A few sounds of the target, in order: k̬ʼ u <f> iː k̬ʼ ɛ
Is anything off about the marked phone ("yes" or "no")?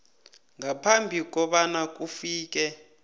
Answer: no